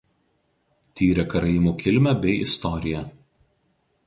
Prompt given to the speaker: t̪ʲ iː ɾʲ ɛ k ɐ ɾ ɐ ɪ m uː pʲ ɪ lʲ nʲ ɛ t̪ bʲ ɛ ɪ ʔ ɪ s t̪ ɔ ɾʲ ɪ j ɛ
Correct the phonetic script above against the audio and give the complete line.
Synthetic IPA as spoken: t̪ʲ iː ɾʲ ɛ k ɐ ɾ ɐ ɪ m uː kʲ ɪ lʲ mʲ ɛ bʲ ɛ ɪ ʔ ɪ s t̪ ɔ ɾʲ ɪ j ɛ